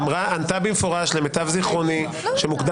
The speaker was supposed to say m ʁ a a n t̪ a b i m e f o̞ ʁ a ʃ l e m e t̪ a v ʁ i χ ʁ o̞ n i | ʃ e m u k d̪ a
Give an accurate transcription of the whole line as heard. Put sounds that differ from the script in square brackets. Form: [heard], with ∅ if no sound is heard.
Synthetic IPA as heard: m ʁ a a n t̪ a b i m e f o̞ ʁ a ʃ l e m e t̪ a v [z] i χ ʁ o̞ n i | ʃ e m u k d̪ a